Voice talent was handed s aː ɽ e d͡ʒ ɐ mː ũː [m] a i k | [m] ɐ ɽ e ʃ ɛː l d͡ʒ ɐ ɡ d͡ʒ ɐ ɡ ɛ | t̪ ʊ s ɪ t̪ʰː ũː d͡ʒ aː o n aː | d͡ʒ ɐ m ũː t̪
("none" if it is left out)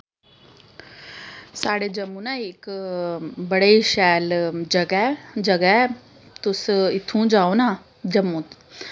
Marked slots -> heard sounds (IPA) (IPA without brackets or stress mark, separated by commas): n, b